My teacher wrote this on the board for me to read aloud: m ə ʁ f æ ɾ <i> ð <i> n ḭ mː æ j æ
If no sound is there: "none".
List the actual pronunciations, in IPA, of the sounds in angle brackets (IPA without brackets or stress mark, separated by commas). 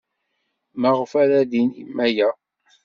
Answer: æ, i